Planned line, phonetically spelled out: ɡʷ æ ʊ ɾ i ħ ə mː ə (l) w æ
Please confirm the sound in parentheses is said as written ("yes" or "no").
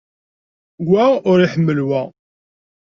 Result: yes